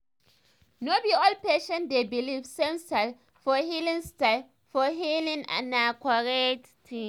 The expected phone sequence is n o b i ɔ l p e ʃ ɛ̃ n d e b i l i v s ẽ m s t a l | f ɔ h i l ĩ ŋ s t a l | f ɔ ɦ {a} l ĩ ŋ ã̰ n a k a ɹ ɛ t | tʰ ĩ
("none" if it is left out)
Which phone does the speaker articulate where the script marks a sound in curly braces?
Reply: i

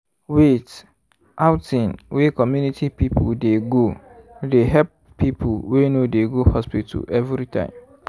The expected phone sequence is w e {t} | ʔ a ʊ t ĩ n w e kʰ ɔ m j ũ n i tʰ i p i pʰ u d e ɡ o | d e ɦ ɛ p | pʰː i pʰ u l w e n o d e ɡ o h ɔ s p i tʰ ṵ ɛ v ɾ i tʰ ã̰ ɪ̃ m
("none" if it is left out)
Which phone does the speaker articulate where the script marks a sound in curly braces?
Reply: t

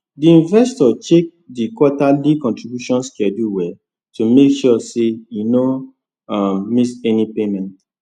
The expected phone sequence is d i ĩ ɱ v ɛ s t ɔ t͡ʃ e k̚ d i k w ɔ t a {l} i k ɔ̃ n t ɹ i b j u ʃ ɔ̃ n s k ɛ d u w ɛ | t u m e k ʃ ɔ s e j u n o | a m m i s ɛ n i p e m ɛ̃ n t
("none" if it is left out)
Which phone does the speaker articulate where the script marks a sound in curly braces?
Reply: l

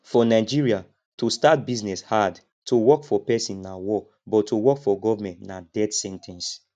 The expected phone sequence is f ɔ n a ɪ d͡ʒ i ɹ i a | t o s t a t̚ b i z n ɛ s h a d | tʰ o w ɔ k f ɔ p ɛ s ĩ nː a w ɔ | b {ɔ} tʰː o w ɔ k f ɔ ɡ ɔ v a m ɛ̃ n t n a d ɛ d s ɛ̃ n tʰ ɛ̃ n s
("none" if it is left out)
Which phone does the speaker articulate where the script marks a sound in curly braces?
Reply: ɔ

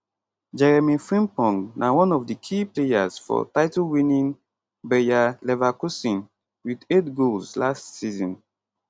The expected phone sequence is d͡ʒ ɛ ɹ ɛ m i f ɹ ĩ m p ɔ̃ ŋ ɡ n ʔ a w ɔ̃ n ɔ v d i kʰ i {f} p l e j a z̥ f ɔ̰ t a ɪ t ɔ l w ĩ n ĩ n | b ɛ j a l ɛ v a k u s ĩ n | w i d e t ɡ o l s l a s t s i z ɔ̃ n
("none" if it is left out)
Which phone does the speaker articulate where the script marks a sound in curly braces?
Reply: none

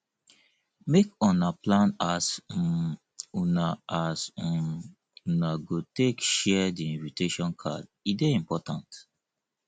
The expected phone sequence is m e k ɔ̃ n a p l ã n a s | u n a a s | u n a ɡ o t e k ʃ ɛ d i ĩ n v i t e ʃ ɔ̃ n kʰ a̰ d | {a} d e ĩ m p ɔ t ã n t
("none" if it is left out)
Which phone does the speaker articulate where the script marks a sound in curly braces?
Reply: i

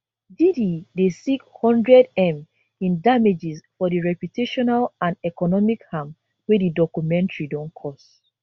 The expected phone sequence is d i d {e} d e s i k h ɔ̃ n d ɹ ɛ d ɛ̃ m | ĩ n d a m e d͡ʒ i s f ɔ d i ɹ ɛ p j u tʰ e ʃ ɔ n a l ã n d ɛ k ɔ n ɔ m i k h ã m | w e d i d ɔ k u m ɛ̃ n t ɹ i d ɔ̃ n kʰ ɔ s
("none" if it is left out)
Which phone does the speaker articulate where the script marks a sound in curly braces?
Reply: i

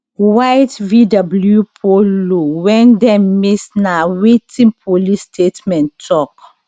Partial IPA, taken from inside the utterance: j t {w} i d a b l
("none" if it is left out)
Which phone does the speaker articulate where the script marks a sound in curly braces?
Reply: v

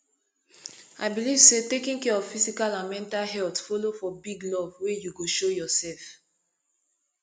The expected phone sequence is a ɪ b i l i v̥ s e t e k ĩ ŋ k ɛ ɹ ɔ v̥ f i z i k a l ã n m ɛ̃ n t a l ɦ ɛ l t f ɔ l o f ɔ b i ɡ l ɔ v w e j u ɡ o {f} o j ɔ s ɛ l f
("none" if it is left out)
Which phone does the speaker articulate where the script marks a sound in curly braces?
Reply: ʃ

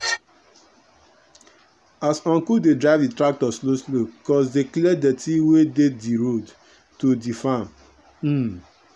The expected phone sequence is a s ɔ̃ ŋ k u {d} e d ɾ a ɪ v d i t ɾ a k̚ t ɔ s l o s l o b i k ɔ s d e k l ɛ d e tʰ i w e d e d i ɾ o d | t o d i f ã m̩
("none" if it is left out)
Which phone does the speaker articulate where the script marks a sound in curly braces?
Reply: d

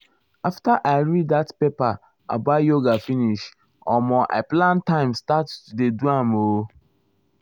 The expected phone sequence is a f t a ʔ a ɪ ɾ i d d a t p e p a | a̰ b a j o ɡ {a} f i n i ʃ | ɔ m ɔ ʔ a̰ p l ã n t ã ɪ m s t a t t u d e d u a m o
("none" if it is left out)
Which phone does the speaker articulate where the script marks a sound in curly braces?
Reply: a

